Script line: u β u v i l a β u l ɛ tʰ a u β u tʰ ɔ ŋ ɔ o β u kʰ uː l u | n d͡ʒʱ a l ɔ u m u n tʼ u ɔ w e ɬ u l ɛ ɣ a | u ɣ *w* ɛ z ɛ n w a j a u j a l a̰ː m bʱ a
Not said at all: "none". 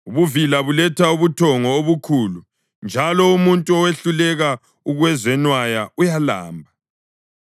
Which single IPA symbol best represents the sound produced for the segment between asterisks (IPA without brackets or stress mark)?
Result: w